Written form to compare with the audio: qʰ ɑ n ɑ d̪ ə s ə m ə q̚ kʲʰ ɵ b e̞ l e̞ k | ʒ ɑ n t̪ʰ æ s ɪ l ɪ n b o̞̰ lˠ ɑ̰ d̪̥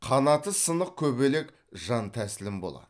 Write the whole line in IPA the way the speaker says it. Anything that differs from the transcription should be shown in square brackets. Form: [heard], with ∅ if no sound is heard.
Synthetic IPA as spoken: qʰ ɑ n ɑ [t̪] ə s ə [n] ə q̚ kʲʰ ɵ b e̞ l e̞ k | ʒ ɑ n t̪ʰ æ s ɪ l ɪ [m] b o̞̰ lˠ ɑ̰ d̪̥